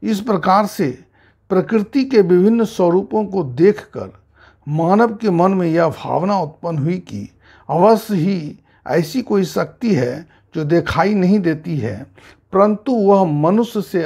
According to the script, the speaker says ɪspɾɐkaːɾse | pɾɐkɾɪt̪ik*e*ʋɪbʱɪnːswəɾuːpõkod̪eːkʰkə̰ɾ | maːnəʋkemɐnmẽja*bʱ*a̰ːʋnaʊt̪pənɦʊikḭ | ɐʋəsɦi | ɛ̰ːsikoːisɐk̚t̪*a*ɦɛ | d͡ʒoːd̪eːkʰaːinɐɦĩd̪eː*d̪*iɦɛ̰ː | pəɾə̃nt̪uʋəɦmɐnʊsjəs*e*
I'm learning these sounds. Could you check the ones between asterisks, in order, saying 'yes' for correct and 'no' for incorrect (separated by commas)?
yes, yes, no, no, yes